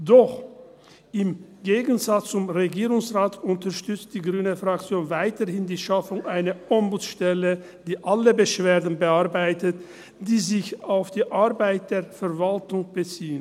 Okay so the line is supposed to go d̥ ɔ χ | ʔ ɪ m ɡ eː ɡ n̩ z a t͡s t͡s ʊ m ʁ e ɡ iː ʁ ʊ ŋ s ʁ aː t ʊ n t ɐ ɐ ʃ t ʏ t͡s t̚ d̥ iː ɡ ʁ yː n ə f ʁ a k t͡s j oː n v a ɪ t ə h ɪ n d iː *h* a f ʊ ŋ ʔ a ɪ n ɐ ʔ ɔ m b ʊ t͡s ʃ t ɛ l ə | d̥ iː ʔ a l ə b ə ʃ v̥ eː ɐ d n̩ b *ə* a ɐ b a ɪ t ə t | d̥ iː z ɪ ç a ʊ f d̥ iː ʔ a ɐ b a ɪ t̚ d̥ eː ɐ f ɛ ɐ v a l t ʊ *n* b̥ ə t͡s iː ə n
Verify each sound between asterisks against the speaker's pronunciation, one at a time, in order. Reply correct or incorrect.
incorrect, correct, incorrect

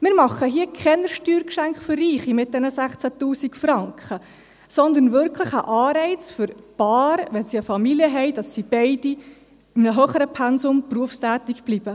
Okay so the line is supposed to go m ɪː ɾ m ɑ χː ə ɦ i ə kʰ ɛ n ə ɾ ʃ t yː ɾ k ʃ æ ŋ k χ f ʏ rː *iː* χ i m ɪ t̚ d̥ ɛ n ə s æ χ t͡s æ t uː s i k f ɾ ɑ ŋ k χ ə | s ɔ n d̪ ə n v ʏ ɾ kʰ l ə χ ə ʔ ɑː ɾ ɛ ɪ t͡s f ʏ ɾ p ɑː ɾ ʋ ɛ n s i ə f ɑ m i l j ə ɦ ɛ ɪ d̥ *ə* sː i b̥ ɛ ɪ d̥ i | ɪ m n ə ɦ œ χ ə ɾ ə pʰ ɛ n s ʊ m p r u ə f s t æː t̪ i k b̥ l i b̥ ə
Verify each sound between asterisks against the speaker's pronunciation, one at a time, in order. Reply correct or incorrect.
correct, incorrect

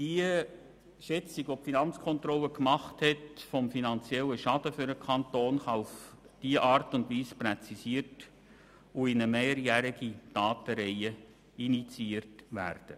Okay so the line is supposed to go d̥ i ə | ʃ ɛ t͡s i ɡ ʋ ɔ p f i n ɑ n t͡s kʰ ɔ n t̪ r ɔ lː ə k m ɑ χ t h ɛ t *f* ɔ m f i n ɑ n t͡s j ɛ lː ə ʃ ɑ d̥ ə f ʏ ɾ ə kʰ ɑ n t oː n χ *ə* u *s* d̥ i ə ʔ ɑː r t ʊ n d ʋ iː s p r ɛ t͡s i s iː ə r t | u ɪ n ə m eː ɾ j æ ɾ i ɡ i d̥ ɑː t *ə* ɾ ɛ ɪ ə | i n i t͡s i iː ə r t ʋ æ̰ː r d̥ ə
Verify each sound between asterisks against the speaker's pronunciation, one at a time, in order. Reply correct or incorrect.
correct, incorrect, incorrect, correct

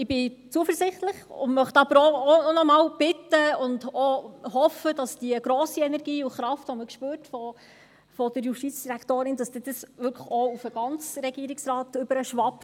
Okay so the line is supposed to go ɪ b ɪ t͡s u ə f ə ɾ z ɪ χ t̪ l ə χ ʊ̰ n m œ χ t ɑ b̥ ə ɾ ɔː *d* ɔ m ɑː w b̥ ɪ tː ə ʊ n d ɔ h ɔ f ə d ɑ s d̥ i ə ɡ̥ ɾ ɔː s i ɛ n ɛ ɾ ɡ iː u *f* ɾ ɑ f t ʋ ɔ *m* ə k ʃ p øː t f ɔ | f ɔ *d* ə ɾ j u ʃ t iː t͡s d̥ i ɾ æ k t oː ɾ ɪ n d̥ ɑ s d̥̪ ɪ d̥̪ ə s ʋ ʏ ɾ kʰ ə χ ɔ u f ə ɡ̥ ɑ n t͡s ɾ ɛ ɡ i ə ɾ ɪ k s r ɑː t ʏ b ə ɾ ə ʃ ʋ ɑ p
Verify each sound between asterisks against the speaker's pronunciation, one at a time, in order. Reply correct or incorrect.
incorrect, incorrect, correct, correct

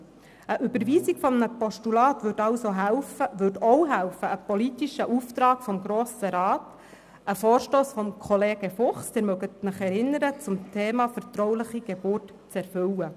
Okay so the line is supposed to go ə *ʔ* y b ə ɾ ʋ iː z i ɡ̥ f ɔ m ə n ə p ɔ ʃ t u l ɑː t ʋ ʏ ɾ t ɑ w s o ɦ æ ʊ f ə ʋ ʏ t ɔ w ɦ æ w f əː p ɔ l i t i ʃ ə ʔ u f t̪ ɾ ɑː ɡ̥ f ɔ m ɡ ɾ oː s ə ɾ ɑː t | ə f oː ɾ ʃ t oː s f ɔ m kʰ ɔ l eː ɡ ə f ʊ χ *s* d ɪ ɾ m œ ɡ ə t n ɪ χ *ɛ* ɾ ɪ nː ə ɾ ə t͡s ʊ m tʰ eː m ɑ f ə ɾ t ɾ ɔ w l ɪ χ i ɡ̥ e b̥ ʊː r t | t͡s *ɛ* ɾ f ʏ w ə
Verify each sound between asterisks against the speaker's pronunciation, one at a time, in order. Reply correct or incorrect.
correct, correct, correct, correct

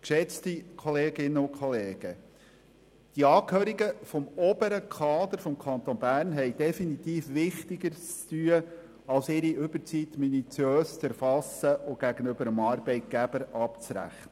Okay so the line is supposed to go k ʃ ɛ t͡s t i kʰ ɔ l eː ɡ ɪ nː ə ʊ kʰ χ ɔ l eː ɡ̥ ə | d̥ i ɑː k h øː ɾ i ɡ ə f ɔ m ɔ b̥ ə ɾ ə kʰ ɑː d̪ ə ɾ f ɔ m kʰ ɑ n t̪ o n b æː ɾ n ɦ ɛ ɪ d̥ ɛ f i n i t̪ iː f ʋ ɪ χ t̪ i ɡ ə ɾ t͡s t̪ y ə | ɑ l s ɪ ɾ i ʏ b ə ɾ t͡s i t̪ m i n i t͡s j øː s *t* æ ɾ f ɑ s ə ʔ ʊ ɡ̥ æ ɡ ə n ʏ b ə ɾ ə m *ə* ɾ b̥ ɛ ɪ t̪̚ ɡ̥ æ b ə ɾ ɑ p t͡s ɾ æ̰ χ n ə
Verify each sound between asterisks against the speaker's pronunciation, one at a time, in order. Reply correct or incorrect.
incorrect, incorrect

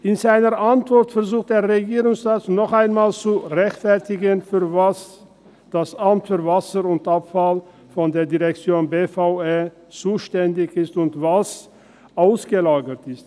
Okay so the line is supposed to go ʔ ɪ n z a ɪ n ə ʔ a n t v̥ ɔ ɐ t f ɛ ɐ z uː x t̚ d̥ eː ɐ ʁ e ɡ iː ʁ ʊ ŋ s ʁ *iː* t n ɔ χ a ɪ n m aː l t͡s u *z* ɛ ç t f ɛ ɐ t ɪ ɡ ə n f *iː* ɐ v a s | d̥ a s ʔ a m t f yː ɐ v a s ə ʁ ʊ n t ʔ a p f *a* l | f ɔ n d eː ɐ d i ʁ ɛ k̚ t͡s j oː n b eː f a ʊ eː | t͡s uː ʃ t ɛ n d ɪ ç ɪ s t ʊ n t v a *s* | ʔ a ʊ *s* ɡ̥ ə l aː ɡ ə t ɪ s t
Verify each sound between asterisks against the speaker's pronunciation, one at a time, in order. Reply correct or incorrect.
incorrect, incorrect, incorrect, correct, correct, correct

